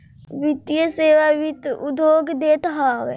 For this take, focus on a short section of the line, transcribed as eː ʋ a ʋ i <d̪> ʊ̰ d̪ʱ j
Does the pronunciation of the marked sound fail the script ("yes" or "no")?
yes